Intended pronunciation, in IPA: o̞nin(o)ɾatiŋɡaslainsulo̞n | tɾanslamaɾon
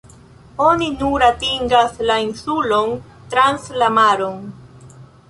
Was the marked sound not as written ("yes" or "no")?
yes